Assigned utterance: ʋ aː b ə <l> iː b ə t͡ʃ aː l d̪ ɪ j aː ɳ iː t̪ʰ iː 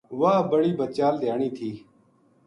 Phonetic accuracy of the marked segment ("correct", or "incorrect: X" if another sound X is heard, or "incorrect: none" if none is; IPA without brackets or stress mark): incorrect: ɽ